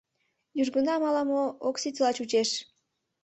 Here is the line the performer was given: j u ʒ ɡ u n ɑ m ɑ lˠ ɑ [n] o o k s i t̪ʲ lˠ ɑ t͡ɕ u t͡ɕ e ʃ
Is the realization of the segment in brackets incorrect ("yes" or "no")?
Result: yes